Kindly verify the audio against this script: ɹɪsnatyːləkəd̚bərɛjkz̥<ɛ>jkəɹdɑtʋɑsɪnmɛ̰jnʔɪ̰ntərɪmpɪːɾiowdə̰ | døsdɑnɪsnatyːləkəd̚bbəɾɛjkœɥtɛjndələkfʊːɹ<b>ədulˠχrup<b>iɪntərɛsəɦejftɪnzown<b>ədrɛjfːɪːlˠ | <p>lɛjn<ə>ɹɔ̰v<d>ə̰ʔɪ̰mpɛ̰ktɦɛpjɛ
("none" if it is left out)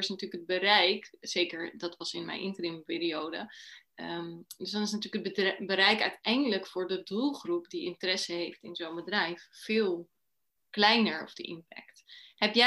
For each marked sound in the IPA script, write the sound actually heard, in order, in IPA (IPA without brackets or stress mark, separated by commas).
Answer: e, d, d, b, k, ə, d